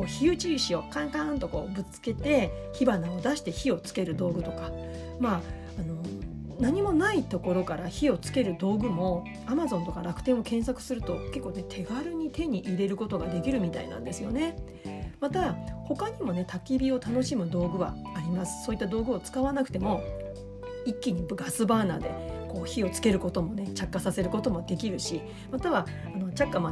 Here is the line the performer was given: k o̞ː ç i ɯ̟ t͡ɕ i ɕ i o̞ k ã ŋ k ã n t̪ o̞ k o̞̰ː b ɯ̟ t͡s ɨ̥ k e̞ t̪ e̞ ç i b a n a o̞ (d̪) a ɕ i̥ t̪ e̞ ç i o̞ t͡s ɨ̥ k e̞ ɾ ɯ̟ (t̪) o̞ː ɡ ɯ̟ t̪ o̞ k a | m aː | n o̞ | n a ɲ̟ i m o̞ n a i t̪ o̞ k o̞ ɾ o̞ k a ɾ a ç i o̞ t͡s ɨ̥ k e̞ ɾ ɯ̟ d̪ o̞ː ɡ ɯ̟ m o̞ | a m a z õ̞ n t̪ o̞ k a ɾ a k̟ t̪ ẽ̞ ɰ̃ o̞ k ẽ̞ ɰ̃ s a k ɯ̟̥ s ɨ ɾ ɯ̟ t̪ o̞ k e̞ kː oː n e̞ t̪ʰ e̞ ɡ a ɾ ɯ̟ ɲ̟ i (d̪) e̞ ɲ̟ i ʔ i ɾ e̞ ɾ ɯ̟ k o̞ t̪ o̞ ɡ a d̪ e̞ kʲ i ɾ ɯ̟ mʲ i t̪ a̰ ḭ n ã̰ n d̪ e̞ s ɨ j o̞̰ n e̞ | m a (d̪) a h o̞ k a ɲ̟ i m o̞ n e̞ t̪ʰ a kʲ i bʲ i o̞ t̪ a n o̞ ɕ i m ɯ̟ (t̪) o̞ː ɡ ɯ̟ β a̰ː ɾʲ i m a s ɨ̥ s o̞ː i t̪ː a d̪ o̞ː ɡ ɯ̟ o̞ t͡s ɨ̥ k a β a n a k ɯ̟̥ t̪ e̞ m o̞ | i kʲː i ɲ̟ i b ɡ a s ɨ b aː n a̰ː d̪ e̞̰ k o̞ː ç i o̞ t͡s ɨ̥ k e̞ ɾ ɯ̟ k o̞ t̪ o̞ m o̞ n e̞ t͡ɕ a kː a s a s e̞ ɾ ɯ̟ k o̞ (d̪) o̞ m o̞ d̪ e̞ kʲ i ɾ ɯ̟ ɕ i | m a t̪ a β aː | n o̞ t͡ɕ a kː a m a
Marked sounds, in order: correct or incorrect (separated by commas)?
correct, incorrect, incorrect, incorrect, incorrect, incorrect